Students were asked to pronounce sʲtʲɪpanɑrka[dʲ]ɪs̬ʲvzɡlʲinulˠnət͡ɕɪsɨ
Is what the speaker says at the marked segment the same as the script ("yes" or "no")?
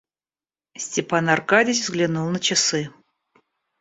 yes